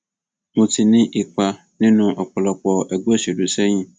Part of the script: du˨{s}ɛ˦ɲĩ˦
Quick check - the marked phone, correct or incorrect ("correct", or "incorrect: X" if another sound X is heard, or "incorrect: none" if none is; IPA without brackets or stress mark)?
correct